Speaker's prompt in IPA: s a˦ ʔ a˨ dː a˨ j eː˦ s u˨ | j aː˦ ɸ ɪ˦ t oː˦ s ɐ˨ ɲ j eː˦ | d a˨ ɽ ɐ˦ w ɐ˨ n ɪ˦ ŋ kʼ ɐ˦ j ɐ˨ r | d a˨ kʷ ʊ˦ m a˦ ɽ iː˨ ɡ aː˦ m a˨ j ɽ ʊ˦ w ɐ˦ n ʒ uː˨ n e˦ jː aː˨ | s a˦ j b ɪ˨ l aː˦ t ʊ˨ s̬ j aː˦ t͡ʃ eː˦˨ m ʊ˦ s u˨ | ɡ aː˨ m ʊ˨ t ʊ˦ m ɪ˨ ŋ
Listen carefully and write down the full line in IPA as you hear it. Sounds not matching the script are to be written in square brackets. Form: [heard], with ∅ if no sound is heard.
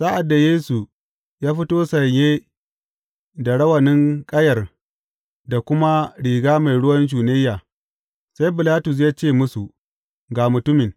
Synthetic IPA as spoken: s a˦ ʔ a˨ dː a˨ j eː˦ s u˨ | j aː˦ ɸ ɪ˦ t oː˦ s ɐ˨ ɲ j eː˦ | d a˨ ɽ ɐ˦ w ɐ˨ n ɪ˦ ŋ kʼ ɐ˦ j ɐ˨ r | d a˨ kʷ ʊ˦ m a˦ ɽ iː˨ ɡ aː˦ m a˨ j ɽ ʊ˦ w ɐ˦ n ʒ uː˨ n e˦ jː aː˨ | s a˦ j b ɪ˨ l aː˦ t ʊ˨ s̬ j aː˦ t͡ʃ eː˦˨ m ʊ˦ s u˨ | ɡ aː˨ m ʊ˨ t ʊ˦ m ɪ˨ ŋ

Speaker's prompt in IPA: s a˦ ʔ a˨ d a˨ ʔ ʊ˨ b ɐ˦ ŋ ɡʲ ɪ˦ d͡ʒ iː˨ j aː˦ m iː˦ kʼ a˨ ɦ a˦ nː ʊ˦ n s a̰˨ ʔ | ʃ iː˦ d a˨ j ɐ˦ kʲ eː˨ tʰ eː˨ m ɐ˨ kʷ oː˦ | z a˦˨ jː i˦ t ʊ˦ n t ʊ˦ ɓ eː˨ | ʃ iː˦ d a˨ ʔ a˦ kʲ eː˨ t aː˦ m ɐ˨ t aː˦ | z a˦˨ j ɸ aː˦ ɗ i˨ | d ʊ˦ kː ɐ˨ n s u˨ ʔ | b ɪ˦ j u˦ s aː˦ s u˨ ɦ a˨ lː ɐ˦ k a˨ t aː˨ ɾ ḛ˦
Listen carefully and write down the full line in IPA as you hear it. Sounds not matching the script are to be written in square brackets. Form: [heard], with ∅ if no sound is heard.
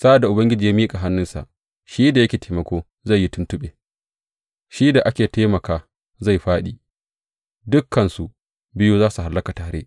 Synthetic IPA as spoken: s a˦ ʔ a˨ d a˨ ʔ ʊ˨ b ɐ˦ ŋ ɡʲ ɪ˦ d͡ʒ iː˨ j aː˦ m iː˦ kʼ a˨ ɦ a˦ nː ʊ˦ n s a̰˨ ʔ | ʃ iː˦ d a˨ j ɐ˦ kʲ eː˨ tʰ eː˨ m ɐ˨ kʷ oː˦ | z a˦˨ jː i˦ t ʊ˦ n t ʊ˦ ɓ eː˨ | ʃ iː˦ d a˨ ʔ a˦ kʲ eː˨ t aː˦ m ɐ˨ [k] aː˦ | z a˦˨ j ɸ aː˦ ɗ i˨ | d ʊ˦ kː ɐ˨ n s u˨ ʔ | b ɪ˦ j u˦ [z] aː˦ s u˨ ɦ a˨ lː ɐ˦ k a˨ t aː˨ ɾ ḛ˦

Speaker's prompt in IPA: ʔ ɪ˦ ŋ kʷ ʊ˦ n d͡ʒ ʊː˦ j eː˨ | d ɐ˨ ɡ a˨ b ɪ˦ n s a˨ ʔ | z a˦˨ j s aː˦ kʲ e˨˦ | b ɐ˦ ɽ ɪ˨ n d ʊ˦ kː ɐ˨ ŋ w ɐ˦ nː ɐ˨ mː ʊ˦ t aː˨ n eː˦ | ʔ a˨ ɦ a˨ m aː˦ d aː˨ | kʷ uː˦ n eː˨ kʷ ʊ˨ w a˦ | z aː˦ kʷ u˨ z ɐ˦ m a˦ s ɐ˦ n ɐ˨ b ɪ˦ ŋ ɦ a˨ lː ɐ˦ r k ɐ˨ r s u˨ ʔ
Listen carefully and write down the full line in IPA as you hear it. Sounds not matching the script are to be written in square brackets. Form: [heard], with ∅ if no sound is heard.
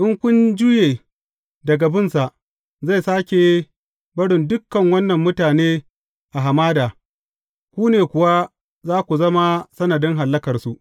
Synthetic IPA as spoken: ʔ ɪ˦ ŋ kʷ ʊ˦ n d͡ʒ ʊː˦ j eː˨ | d ɐ˨ ɡ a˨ b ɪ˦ n s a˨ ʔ | z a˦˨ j s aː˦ kʲ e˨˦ | b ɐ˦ ɽ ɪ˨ n d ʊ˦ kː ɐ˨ ŋ w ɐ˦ nː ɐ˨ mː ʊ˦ t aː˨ n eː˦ | ʔ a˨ ɦ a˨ m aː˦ d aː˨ | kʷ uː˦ n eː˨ kʷ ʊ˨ w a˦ | z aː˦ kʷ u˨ z ɐ˦ m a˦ s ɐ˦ n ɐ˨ [d] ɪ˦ ŋ ɦ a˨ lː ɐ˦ [∅] k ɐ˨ r s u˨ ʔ

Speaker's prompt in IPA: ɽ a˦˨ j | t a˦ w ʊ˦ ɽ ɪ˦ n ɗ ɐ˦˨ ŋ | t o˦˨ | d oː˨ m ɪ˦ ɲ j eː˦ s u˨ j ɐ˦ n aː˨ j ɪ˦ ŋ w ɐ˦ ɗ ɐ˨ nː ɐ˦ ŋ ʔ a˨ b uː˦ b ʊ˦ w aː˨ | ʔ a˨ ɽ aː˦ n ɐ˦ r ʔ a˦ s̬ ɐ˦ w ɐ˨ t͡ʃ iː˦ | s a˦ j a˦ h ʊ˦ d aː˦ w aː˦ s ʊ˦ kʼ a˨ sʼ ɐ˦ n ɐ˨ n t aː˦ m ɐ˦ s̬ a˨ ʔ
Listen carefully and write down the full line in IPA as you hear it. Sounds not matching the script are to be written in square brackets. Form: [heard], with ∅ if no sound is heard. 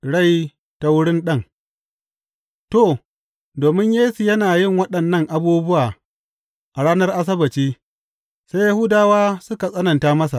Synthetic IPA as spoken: ɽ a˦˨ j | t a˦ w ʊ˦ ɽ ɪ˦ n ɗ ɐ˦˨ ŋ | t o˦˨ | d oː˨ m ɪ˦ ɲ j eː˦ s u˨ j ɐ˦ n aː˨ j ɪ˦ ŋ w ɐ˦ ɗ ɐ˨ nː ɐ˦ ŋ ʔ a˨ b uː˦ b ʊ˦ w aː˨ | ʔ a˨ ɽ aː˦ n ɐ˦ r ʔ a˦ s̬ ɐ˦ [b] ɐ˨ t͡ʃ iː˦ | s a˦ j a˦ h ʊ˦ d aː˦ w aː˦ s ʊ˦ [k] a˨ sʼ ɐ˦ n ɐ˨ n t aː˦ m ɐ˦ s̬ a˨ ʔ

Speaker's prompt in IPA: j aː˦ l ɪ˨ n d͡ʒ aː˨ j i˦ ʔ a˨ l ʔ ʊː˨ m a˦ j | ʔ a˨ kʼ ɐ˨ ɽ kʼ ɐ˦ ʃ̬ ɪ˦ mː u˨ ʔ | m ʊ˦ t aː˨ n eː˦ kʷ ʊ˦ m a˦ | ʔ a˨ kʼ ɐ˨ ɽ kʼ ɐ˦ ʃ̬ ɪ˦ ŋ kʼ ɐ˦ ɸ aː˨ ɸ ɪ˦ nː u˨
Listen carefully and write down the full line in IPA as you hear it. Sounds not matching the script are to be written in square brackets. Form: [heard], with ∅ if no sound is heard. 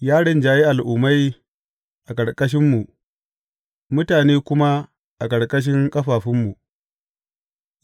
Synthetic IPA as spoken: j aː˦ [ɽ] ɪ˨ n d͡ʒ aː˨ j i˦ ʔ a˨ l ʔ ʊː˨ m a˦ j | ʔ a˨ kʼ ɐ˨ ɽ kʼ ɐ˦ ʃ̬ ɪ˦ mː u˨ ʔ | m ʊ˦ t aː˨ n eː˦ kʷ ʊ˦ m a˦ | ʔ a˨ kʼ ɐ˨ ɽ kʼ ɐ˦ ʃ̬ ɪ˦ ŋ kʼ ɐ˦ ɸ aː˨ ɸ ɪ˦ [mː] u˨

